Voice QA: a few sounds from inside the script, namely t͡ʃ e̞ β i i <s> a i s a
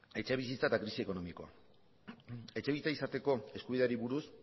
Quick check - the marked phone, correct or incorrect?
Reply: incorrect: t͡s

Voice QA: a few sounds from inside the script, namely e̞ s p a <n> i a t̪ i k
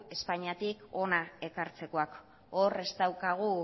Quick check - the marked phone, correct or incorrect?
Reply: incorrect: ɲ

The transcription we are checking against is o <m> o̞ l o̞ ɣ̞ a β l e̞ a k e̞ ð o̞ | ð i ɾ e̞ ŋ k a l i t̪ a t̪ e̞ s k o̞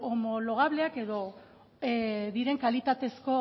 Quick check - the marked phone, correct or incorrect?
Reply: correct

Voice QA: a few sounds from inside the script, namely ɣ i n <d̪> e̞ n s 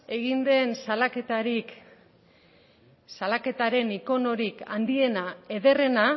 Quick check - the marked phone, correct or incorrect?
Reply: correct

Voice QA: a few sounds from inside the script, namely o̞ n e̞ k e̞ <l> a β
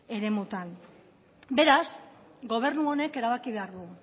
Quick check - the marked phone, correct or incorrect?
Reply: incorrect: ɾ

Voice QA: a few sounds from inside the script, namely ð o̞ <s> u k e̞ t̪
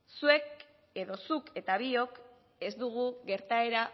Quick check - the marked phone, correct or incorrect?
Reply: correct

